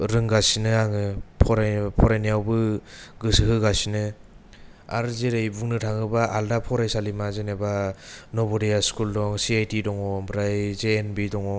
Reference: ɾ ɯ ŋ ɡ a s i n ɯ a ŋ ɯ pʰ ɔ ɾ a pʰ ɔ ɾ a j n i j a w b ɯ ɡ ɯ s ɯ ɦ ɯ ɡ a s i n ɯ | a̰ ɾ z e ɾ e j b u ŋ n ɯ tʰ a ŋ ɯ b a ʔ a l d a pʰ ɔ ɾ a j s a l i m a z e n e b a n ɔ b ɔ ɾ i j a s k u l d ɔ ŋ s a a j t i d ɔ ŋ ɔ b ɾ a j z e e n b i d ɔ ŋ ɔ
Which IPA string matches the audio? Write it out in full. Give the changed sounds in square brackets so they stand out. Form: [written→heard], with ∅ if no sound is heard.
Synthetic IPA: ɾ ɯ ŋ ɡ a s i n ɯ a ŋ ɯ pʰ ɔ ɾ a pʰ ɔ ɾ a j n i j a w b ɯ ɡ ɯ s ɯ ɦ ɯ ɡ a s i n ɯ | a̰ ɾ z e ɾ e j b u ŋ n ɯ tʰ a ŋ ɯ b a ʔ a l d a pʰ ɔ ɾ a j s a l i m a z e n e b a n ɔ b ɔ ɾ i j a s k u l d ɔ ŋ s [a→i] a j t i d ɔ ŋ ɔ b ɾ a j z e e n b i d ɔ ŋ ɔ